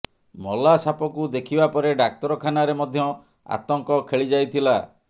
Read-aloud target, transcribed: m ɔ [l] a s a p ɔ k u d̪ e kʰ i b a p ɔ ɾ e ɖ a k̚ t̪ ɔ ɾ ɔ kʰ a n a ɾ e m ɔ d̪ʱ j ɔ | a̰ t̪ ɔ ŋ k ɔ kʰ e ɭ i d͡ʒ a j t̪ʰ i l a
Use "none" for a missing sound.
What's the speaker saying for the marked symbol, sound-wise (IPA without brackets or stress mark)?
l